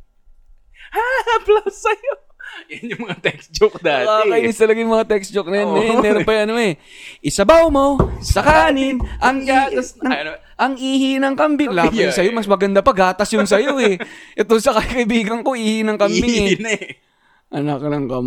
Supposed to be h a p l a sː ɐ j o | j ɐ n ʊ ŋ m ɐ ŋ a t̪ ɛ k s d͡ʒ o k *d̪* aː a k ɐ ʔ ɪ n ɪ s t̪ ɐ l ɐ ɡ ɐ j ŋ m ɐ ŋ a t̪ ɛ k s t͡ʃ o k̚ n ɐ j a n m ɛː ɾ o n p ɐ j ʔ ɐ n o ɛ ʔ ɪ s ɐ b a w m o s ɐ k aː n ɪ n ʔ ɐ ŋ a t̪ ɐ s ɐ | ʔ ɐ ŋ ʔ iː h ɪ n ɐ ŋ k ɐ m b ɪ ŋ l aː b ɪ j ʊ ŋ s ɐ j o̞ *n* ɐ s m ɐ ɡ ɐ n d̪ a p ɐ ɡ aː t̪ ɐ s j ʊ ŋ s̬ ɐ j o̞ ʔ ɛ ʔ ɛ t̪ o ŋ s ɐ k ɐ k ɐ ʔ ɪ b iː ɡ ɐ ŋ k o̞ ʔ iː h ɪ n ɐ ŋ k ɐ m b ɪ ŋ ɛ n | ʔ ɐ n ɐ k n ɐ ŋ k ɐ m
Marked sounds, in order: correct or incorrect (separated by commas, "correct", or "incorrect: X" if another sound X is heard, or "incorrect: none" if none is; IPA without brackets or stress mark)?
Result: correct, incorrect: m